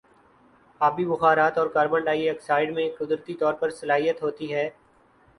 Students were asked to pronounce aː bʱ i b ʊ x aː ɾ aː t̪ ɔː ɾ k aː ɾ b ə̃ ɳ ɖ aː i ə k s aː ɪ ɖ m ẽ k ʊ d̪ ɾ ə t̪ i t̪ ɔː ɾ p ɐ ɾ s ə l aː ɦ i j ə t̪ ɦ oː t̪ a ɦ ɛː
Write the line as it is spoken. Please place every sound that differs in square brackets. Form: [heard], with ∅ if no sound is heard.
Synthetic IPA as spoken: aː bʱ i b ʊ x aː ɾ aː t̪ ɔː ɾ k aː ɾ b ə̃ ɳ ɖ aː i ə k s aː ɪ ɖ m ẽ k ʊ d̪ ɾ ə t̪ i t̪ ɔː ɾ p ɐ ɾ s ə l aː ɦ i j ə t̪ ɦ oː t̪ [i] ɦ ɛː